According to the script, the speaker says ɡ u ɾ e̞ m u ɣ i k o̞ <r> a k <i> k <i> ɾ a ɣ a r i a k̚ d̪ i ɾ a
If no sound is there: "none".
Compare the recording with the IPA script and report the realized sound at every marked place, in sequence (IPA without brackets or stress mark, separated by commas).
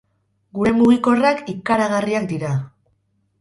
r, i, a